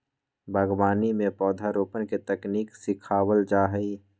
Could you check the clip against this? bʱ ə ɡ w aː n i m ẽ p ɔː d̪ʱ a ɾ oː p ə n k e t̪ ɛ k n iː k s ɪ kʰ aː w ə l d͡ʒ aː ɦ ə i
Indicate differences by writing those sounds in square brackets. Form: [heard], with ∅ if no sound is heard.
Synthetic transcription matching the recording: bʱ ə ɡ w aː n i m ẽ p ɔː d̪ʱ a ɾ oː p ə n k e t̪ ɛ k n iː k s ɪ kʰ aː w ə l d͡ʒ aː ɦ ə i